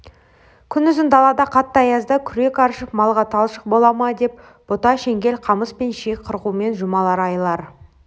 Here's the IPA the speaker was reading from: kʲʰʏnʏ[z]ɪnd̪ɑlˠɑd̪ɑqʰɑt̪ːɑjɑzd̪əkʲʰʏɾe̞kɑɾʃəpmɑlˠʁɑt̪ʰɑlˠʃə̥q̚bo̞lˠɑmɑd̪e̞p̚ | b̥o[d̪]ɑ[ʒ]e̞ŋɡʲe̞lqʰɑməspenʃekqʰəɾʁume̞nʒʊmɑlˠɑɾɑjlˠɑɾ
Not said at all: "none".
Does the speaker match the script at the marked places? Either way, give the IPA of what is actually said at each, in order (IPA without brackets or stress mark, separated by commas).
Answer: z, t̪, ʃ